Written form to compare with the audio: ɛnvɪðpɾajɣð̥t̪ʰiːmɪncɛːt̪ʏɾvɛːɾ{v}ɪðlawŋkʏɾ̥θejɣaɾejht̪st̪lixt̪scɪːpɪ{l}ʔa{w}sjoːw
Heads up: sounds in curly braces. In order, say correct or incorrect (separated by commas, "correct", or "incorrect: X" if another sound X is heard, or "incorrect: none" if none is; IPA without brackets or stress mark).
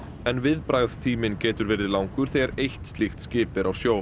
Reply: incorrect: ð, incorrect: ɾ, correct